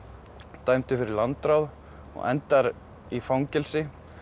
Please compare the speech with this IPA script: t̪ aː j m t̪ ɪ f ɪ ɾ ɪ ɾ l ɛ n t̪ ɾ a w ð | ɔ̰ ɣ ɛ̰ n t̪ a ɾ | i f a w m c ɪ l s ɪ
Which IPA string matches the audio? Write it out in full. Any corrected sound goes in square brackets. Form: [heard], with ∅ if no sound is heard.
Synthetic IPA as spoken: t̪ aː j m t̪ ɪ f ɪ ɾ ɪ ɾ l [a] n t̪ ɾ a w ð | ɔ̰ ɣ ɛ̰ n t̪ a ɾ | i f a w [ŋ] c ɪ l s ɪ